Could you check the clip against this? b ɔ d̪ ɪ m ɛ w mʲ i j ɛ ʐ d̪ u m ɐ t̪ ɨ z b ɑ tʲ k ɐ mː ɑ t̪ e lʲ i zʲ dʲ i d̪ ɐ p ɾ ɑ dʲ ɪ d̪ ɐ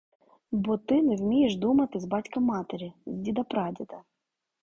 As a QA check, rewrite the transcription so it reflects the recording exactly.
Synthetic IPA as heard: b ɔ t̪ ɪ n ɛ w mʲ i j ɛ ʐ d̪ u m ɐ t̪ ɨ z b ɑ tʲ k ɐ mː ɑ t̪ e ɾʲ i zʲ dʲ i d̪ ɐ p ɾ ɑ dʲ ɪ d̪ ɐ